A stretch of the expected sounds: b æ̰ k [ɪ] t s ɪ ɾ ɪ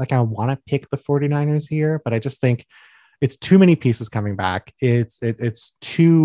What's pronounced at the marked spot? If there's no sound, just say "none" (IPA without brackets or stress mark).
ɪ